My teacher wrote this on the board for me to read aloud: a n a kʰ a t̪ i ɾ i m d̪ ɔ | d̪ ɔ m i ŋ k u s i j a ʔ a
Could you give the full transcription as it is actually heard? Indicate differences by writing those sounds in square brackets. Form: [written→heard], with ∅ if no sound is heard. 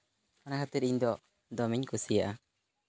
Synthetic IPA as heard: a n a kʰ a t̪ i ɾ i [m→ɲ] d̪ ɔ | d̪ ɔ m i [ŋ→ɲ] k u s i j a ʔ a